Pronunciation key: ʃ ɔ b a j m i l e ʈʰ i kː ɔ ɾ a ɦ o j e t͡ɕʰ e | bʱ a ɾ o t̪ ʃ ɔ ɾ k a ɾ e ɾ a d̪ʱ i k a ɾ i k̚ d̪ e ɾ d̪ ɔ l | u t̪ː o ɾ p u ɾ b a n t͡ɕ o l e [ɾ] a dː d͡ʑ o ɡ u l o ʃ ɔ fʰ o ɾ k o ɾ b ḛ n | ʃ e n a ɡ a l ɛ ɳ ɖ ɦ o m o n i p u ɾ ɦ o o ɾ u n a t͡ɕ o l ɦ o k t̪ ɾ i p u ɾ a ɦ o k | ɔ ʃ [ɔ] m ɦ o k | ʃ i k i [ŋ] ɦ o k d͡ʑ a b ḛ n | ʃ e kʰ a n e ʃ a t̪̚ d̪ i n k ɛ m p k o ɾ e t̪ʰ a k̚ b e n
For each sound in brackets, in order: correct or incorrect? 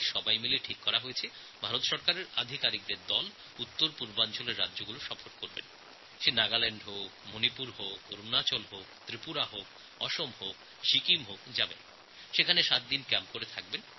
incorrect, incorrect, incorrect

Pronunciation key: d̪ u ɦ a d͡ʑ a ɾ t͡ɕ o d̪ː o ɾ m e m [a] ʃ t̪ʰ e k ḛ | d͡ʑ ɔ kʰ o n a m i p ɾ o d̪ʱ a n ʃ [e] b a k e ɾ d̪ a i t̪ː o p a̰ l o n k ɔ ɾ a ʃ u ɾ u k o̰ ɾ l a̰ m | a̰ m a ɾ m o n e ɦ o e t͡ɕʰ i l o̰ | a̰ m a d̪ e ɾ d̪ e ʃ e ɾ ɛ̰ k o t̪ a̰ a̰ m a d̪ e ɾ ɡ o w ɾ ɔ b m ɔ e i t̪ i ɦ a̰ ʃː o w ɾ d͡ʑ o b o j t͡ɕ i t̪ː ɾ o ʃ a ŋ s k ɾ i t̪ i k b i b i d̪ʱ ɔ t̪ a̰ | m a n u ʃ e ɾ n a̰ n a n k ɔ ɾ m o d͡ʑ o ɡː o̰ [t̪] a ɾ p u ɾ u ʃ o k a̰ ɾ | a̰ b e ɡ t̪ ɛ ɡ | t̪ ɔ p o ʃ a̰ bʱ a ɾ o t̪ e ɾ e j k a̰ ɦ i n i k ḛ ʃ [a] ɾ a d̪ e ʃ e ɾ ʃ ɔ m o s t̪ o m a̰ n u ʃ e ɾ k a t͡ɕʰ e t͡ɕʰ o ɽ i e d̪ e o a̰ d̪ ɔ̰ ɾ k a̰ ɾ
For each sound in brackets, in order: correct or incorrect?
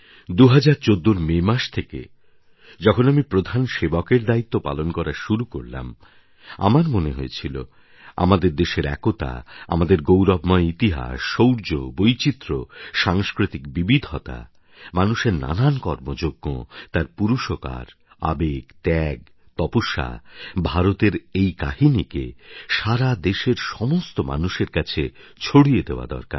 correct, correct, correct, correct

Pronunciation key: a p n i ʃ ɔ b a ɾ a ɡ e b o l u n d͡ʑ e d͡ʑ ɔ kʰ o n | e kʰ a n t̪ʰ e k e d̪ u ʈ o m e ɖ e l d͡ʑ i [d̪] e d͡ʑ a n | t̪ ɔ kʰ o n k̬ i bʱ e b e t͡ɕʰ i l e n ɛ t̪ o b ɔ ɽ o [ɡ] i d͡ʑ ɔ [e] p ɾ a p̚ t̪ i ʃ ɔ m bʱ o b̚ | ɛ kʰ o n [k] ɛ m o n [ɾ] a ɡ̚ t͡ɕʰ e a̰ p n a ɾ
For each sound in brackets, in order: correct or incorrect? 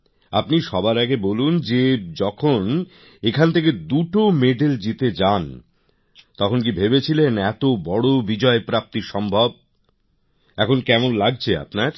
incorrect, incorrect, correct, correct, incorrect

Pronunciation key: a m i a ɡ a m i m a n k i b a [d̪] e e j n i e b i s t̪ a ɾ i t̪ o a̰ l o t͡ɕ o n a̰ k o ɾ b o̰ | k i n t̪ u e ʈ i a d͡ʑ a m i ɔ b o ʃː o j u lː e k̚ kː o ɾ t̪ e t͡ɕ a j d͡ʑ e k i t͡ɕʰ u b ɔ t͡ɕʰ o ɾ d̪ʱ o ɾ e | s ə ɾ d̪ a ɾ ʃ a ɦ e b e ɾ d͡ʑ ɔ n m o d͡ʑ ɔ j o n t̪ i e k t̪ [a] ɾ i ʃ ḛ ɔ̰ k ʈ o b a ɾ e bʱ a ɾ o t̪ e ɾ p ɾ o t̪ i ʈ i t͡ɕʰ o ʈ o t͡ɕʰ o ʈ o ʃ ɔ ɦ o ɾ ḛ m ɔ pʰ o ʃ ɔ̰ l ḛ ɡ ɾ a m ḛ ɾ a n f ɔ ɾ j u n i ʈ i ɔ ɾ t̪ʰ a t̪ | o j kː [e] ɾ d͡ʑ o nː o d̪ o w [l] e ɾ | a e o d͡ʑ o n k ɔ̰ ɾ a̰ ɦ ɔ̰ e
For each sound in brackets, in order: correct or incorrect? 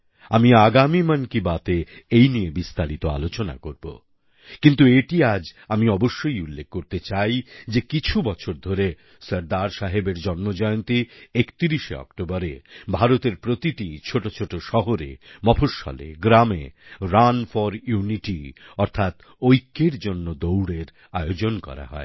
incorrect, incorrect, correct, incorrect

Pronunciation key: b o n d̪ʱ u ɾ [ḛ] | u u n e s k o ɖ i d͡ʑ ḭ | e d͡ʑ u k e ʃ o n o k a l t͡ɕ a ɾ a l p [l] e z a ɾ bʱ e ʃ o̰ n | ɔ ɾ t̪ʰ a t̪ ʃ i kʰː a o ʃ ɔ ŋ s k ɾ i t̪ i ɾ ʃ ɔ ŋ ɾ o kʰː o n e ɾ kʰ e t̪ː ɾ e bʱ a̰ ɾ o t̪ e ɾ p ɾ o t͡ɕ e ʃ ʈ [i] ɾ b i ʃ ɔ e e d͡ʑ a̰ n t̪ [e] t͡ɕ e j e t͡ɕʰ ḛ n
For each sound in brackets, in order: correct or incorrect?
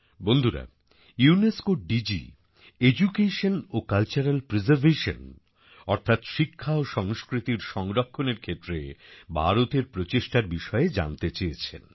incorrect, incorrect, incorrect, correct

